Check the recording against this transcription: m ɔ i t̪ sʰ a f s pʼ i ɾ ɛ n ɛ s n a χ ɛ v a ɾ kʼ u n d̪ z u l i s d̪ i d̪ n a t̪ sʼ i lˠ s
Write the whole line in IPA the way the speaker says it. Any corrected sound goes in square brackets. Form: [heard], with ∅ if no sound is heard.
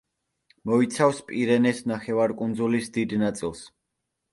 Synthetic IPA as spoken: m ɔ i t̪ sʰ a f s pʼ i ɾ ɛ n ɛ s n a χ ɛ v a ɾ kʼ u n d̪ z u l i s d̪ i d̪ n a t̪ sʼ i lˠ s